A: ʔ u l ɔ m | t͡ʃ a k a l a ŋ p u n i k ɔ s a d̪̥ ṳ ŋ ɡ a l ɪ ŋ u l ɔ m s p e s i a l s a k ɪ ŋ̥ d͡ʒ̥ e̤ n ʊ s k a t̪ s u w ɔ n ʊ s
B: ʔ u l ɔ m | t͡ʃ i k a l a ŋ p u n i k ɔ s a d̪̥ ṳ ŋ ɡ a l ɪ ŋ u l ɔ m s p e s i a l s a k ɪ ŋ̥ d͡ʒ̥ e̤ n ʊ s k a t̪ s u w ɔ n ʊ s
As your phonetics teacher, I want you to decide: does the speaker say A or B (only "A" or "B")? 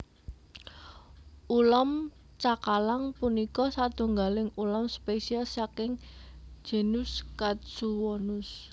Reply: A